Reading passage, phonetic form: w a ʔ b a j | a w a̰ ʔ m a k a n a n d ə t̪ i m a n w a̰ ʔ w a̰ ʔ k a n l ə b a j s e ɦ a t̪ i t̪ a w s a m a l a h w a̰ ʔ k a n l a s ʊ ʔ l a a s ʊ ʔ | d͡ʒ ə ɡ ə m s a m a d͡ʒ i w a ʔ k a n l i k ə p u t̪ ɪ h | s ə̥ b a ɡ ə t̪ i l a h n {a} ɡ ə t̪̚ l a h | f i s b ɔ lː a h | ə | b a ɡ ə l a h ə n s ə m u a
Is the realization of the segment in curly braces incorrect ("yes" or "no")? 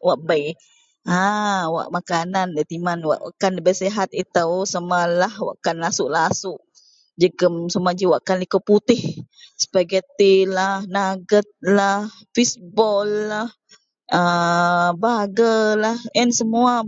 no